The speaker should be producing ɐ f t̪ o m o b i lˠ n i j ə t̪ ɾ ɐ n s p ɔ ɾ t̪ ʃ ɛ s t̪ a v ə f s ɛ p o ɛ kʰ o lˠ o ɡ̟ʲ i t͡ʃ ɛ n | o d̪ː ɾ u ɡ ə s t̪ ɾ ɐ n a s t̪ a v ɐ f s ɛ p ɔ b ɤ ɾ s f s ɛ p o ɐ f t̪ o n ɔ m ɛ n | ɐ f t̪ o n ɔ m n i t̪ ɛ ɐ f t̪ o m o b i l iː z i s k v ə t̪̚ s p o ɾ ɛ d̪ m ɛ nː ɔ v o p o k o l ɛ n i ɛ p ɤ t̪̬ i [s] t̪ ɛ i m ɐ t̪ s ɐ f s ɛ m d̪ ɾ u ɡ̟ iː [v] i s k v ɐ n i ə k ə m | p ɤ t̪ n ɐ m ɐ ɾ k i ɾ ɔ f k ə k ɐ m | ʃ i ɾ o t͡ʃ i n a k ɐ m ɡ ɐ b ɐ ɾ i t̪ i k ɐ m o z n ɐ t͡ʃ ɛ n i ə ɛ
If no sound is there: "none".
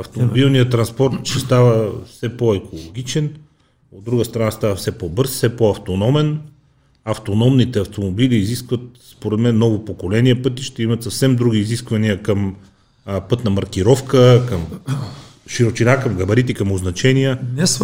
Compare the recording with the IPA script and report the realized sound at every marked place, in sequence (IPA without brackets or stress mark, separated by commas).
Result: ʃ, z